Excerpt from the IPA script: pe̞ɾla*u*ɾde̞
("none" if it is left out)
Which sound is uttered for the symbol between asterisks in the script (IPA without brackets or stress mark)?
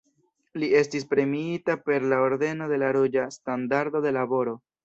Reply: o